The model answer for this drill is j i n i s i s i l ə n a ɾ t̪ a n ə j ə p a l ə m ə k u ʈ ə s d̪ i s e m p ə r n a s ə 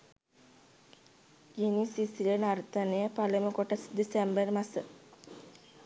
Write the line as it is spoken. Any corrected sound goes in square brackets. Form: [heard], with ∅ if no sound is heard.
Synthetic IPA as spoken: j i n i s i s i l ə n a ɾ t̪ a n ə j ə p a l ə m ə k [o] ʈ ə s d̪ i s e m [b] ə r [m] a s ə